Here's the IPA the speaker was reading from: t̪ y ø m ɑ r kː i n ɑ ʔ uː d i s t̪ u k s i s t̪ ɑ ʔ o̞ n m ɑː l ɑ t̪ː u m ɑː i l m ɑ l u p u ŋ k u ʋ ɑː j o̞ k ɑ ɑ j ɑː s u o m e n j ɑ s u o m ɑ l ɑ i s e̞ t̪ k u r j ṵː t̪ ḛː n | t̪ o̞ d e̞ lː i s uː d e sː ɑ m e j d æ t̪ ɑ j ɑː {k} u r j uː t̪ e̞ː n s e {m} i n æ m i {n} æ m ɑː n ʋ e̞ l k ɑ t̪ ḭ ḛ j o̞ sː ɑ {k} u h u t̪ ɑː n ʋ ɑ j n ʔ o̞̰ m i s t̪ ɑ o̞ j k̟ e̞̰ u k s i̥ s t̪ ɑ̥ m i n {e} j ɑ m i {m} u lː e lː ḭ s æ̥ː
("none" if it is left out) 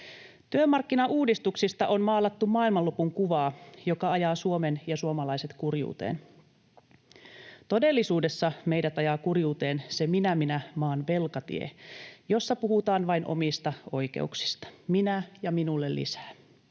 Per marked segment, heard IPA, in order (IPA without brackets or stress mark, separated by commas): k, m, n, p, æ, n